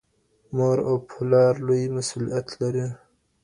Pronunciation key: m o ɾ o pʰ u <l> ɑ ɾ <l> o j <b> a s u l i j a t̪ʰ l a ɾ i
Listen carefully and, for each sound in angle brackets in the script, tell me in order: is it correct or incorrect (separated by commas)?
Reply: correct, correct, incorrect